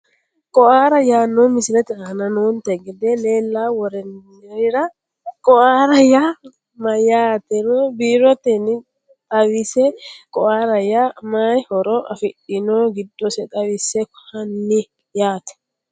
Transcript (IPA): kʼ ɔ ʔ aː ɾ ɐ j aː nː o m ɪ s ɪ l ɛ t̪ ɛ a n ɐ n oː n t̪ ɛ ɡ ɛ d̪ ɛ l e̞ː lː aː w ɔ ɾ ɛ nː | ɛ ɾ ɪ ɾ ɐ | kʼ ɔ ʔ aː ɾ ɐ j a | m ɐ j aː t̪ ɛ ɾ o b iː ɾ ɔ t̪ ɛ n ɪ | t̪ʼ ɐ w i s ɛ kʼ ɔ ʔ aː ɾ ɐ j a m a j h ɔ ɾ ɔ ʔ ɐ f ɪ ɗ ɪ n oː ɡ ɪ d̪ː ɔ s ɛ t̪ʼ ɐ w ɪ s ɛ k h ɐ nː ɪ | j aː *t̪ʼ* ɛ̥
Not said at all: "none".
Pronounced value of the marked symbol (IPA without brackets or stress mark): t̪